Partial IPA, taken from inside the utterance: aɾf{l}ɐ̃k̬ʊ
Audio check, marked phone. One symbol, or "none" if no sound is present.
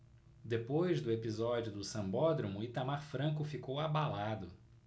ɾ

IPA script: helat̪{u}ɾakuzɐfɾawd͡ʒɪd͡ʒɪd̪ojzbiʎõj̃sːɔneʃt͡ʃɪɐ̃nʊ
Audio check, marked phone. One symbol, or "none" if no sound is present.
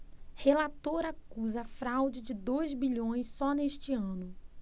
o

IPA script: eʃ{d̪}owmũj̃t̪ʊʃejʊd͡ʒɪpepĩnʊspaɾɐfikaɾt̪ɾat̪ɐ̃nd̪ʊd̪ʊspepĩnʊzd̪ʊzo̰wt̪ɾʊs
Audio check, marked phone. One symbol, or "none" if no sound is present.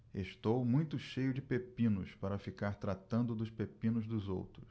t̪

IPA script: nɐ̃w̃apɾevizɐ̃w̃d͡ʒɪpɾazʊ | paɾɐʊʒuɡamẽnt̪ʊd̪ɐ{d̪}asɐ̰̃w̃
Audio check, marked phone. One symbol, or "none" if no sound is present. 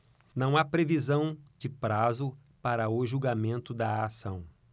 none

